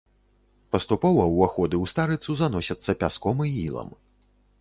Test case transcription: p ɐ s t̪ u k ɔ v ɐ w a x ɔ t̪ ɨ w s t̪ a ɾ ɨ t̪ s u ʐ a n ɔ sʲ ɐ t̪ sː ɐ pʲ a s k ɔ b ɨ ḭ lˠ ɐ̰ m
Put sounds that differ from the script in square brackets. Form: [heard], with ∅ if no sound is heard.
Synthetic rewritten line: p ɐ s t̪ u [p] ɔ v ɐ w a x ɔ [d̪] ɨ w s t̪ a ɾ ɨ t̪ s u [z] a n ɔ sʲ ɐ t̪ sː ɐ pʲ a s k ɔ [m] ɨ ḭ lˠ ɐ̰ m